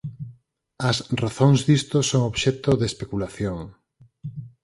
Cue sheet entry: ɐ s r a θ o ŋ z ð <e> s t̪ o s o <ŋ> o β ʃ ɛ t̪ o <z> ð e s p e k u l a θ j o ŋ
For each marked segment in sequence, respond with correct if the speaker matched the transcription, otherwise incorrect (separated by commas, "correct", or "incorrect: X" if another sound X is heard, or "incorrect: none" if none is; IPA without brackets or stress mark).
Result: incorrect: i, correct, incorrect: none